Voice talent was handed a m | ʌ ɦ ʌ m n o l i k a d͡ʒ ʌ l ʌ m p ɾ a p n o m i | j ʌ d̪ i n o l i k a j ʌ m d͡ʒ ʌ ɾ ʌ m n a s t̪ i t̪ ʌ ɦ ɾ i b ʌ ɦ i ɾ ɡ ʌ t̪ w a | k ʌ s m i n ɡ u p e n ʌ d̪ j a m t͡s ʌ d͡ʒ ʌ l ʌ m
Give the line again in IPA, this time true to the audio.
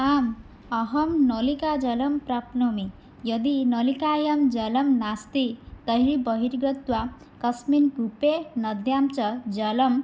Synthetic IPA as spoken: a m | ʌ ɦ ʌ m n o l i k a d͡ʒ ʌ l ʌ m p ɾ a p n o m i | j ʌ d̪ i n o l i k a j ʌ m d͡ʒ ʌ l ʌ m n a s t̪ i t̪ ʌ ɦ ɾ i b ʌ ɦ i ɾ ɡ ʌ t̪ w a | k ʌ s m i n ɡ u p e n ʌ d̪ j a m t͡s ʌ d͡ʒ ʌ l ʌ m

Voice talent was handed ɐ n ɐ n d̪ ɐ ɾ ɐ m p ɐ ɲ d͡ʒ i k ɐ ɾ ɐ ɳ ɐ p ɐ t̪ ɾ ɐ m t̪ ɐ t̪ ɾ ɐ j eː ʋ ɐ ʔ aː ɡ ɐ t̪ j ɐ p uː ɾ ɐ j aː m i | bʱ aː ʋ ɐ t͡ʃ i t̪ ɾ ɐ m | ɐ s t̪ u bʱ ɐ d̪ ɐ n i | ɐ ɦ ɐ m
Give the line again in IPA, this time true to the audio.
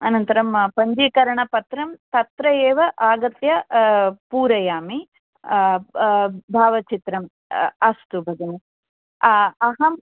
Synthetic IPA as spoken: ɐ n ɐ n t̪ ɐ ɾ ɐ m p ɐ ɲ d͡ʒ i k ɐ ɾ ɐ ɳ ɐ p ɐ t̪ ɾ ɐ m t̪ ɐ t̪ ɾ ɐ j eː ʋ ɐ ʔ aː ɡ ɐ t̪ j ɐ p uː ɾ ɐ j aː m i | bʱ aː ʋ ɐ t͡ʃ i t̪ ɾ ɐ m | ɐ s t̪ u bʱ ɐ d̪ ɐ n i | ɐ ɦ ɐ m

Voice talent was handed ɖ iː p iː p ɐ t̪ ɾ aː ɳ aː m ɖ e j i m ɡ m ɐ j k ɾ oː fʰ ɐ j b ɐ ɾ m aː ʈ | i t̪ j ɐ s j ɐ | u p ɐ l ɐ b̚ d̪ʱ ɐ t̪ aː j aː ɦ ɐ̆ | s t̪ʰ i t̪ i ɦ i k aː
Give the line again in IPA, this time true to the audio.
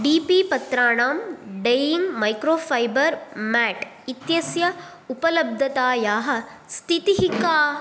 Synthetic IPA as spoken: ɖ iː p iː p ɐ t̪ ɾ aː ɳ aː m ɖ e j i ŋ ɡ m ɐ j k ɾ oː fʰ ɐ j b ɐ ɾ m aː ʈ | i t̪ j ɐ s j ɐ | u p ɐ l ɐ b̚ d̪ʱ ɐ t̪ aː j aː ɦ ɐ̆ | s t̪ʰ i t̪ i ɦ i k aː

